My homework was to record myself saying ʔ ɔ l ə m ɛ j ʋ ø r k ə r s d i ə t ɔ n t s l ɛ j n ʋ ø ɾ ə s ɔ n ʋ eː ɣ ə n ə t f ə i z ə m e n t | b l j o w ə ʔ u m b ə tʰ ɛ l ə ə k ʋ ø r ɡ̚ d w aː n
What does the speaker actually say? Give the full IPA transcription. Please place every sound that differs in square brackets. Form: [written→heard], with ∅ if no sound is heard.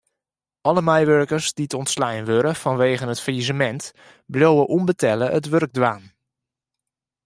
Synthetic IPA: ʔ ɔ l ə m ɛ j ʋ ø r k ə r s d i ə t ɔ n t s l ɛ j n ʋ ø ɾ ə [s→f] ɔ n ʋ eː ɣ ə n ə t f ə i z ə m [e→ɛ] n t | b l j o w ə ʔ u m b ə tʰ ɛ l ə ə [k→t] ʋ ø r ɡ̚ d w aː n